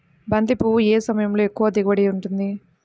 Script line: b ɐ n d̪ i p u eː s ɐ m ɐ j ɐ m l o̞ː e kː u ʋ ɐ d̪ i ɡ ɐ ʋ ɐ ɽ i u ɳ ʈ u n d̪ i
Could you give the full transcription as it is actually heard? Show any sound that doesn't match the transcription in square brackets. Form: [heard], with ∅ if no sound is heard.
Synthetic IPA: b ɐ n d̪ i p u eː s ɐ m ɐ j ɐ m l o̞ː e kː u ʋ ɐ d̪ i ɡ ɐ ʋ ɐ ɽ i u ɳ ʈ u n d̪ i

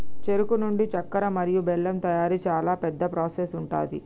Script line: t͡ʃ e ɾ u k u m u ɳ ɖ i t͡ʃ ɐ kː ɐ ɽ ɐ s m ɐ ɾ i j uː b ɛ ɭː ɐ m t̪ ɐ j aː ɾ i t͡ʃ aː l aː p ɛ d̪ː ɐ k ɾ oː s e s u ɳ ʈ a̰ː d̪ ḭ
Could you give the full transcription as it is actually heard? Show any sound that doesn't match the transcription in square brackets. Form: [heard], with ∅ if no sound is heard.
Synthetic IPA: t͡ʃ e ɾ u k u [n] u ɳ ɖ i t͡ʃ ɐ kː ɐ [ɾ] ɐ [∅] m ɐ ɾ i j [u] b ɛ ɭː ɐ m t̪ ɐ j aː ɾ i t͡ʃ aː l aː p ɛ d̪ː ɐ [p] ɾ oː s e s u ɳ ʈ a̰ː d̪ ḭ

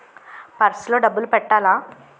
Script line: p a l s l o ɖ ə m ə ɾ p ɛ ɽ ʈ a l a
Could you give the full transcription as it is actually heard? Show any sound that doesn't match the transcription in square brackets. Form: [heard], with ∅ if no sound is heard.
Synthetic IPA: p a [ɾ] s l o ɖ ə [b] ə [l] p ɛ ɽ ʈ a l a

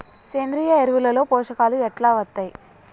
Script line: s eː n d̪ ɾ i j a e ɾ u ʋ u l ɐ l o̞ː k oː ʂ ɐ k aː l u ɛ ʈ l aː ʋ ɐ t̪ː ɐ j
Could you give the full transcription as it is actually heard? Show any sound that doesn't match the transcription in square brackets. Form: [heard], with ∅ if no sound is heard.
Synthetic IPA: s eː n d̪ ɾ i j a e ɾ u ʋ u l ɐ l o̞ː [p] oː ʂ ɐ k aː l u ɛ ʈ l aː ʋ ɐ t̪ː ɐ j

